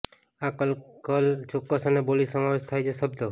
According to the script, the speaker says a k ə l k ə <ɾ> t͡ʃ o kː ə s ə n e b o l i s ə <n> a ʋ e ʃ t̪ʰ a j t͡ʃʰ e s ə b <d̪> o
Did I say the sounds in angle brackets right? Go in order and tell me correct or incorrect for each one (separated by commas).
incorrect, incorrect, correct